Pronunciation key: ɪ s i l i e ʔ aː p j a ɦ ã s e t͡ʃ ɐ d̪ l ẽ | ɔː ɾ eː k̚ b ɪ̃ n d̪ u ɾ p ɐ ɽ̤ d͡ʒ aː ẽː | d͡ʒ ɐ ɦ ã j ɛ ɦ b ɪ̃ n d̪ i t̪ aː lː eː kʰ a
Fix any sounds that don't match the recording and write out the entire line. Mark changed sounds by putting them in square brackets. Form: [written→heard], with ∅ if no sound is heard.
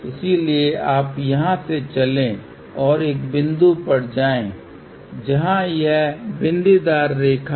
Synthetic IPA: ɪ s i l i e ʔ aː p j [a→ɐ] ɦ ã s e t͡ʃ ɐ [d̪→∅] l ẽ | ɔː ɾ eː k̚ b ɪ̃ n d̪ u [ɾ→∅] p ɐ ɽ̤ d͡ʒ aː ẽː | d͡ʒ ɐ ɦ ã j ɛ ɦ b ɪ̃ n d̪ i [t̪→d̪] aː [lː→ɾː] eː kʰ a

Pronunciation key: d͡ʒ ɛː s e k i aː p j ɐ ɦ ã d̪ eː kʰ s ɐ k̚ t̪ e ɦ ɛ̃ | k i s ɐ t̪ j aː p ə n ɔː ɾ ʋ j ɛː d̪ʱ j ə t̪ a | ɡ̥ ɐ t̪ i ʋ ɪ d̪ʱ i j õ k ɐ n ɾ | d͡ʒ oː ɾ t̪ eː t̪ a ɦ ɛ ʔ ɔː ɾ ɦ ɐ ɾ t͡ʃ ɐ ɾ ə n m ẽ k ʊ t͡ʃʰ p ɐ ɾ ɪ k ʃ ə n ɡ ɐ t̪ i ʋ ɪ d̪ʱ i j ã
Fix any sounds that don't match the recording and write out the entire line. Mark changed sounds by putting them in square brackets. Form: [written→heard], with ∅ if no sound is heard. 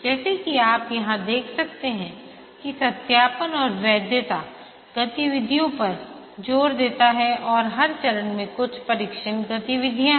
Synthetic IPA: d͡ʒ ɛː s e k i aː p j ɐ ɦ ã d̪ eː kʰ s ɐ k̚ t̪ e ɦ ɛ̃ | k i s ɐ t̪ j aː p ə n ɔː ɾ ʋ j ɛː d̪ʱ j ə t̪ a | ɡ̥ ɐ t̪ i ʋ ɪ d̪ʱ i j õ [k→p] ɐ [n→∅] ɾ | d͡ʒ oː ɾ [t̪→d̪] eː t̪ a ɦ ɛ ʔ ɔː ɾ ɦ ɐ ɾ t͡ʃ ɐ ɾ ə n m ẽ k ʊ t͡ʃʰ p ɐ ɾ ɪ k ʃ ə n ɡ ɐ t̪ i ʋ ɪ d̪ʱ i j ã

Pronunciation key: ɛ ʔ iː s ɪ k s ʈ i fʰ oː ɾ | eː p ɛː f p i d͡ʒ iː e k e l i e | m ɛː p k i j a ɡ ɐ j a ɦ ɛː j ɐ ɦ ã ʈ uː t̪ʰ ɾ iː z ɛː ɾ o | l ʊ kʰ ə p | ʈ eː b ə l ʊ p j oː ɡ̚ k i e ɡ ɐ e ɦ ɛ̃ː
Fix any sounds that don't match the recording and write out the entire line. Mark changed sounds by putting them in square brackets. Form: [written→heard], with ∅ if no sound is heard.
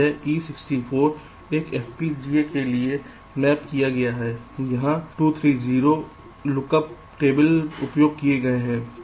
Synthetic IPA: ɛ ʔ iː s ɪ k s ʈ i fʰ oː ɾ | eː [p→k] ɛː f p i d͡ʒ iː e k e l i e | m ɛː p k i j a ɡ ɐ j a ɦ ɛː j ɐ ɦ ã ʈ uː t̪ʰ ɾ iː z [ɛː→iː] ɾ o | l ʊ [kʰ→k] ə p | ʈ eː b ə l ʊ p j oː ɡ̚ k i e ɡ ɐ e ɦ ɛ̃ː

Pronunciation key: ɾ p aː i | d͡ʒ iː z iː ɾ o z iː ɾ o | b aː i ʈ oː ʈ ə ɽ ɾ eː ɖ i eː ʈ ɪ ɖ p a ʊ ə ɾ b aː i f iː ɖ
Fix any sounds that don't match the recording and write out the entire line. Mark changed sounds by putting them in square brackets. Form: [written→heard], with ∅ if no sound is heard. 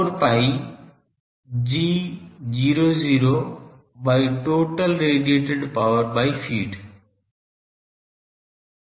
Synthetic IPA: ɾ p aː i | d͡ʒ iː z iː ɾ o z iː ɾ o | b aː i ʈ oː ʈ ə [ɽ→l] ɾ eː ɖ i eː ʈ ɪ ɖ p a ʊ ə ɾ b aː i f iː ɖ

